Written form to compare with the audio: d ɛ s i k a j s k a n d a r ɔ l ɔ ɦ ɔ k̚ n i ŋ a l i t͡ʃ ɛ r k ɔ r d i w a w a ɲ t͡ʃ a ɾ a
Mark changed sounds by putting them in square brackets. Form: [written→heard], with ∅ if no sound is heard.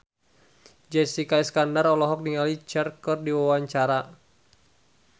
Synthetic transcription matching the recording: [d→d͡ʒ] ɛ s i k a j s k a n d a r ɔ l ɔ ɦ ɔ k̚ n i ŋ a l i t͡ʃ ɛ r k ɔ r d i w a w a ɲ t͡ʃ a ɾ a